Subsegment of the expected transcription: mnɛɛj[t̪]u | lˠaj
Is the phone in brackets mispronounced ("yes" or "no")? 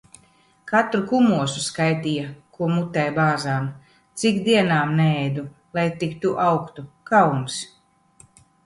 yes